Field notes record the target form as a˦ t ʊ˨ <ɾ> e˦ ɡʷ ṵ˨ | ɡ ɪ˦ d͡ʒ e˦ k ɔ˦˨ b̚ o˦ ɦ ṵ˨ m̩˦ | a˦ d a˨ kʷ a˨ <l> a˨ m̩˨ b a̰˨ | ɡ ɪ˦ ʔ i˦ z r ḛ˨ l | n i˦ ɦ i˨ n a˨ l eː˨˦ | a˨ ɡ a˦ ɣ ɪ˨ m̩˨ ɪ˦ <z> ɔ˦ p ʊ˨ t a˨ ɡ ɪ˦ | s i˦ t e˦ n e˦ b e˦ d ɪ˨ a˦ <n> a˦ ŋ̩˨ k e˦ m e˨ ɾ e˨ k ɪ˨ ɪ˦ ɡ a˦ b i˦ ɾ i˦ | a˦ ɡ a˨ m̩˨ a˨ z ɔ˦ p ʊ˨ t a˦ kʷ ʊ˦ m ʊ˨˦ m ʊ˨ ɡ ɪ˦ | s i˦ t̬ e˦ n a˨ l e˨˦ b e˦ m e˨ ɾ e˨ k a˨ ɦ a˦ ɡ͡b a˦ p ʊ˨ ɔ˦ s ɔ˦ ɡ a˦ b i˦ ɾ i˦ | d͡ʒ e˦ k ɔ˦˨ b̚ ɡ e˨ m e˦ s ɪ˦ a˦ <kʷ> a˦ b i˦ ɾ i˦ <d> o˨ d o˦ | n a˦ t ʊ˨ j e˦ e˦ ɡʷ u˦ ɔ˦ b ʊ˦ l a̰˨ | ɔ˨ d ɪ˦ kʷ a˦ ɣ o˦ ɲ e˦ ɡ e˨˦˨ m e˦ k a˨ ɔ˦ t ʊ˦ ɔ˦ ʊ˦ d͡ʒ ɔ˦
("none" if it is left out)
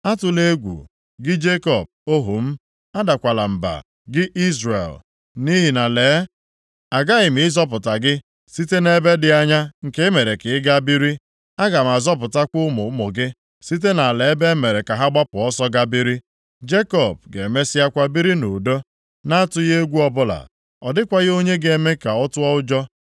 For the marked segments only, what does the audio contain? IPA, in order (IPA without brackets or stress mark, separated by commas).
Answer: l, l, z, ɲ, kʷ, n